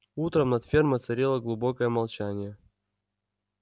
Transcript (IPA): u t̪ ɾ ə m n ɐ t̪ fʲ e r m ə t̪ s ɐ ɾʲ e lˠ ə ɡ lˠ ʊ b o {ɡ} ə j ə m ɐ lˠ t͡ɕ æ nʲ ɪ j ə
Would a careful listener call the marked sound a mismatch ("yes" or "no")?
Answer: yes